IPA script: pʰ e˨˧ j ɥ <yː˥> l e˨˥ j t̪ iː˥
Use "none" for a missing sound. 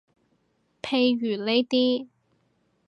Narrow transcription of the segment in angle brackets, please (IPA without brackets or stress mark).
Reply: yː˨˩